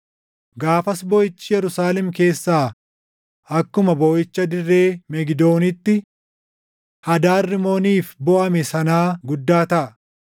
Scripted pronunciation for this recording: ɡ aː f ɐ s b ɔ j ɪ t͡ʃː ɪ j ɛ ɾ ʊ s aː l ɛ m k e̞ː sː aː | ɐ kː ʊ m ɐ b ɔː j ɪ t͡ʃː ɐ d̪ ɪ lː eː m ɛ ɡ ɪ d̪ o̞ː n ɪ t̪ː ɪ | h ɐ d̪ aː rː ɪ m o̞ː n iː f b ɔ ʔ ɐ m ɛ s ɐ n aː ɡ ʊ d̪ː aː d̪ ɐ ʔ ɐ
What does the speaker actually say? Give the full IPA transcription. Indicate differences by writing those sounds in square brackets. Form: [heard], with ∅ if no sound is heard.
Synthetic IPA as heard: ɡ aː f ɐ s b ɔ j ɪ t͡ʃː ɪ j ɛ ɾ ʊ s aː l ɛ m k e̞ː sː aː | ɐ kː ʊ m ɐ b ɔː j ɪ t͡ʃː ɐ d̪ ɪ [rː] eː m ɛ ɡ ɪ d̪ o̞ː n ɪ t̪ː ɪ | h ɐ d̪ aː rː ɪ m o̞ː n iː f b ɔ ʔ ɐ m ɛ s ɐ n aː ɡ ʊ d̪ː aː [t̪] ɐ ʔ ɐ